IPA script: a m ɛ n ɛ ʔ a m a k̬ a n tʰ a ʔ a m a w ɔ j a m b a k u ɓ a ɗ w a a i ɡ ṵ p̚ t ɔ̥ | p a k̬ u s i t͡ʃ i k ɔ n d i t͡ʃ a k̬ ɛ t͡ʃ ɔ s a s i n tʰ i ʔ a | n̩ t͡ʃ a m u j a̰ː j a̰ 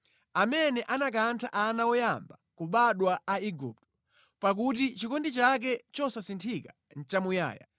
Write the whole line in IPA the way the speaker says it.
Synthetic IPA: a m ɛ n ɛ ʔ a n a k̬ a n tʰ a ʔ a n a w ɔ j a m b a k u ɓ a ɗ w a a i ɡ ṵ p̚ t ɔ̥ | p a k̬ u t i t͡ʃ i k ɔ n d i t͡ʃ a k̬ ɛ t͡ʃ ɔ s a s i n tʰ i k a | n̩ t͡ʃ a m u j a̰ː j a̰